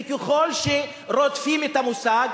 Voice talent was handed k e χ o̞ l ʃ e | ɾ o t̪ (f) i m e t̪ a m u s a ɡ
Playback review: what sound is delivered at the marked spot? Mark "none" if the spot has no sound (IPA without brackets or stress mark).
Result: f